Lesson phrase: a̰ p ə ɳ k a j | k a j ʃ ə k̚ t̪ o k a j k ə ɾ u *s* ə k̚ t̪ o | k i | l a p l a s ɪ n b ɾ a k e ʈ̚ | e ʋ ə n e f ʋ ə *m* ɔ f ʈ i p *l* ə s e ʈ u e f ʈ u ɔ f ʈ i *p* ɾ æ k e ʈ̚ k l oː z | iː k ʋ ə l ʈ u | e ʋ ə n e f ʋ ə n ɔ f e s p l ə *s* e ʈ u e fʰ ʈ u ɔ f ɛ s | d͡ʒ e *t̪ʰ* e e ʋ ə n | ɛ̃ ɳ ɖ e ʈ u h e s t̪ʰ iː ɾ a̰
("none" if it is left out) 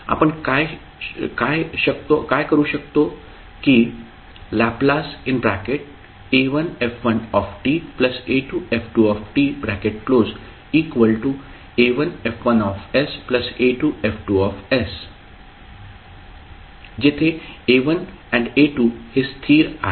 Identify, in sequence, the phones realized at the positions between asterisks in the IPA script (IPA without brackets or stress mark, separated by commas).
ʃ, n, l, b, s, t̪ʰ